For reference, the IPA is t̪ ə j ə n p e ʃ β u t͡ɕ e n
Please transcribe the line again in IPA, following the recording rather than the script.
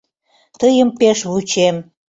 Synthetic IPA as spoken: t̪ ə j ə m p e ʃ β u t͡ɕ e m